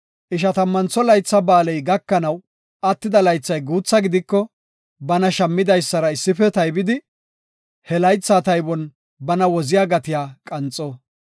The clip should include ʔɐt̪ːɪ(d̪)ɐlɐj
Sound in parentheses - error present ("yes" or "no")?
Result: no